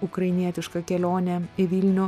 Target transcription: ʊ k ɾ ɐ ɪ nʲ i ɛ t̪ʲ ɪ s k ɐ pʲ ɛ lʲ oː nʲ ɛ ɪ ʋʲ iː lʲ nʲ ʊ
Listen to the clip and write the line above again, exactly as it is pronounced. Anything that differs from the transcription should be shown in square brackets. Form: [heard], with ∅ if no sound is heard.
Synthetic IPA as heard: ʊ k ɾ ɐ ɪ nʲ i ɛ t̪ʲ ɪ [ʃ] k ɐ [kʲ] ɛ lʲ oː nʲ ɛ ɪ ʋʲ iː lʲ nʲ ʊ